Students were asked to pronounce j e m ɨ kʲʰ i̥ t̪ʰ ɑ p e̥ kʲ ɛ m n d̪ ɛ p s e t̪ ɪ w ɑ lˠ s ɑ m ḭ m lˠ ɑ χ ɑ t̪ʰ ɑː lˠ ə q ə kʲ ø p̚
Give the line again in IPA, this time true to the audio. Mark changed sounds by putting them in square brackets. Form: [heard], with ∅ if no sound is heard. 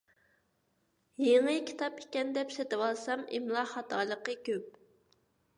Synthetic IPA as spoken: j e [ŋ] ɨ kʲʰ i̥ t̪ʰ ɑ p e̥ kʲ ɛ [∅] n d̪ ɛ p s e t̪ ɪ w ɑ lˠ s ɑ m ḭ m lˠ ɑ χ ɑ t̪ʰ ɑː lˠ ə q ə kʲ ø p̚